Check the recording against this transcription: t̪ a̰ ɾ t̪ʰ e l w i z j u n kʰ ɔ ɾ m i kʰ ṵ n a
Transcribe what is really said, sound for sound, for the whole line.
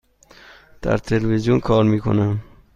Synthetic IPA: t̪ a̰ ɾ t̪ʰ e l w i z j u n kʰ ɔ ɾ m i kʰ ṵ n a